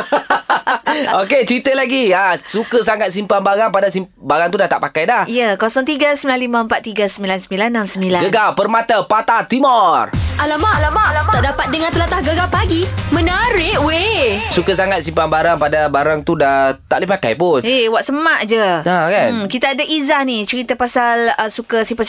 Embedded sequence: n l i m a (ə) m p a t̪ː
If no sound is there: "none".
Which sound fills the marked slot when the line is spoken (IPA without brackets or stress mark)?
ə